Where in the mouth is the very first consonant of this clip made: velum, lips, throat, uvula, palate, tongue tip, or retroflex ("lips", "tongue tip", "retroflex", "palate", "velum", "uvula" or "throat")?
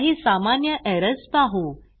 throat